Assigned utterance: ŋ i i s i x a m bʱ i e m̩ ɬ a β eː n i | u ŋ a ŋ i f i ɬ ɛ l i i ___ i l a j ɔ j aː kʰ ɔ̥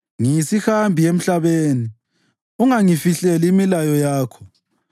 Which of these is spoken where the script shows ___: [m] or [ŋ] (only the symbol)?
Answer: m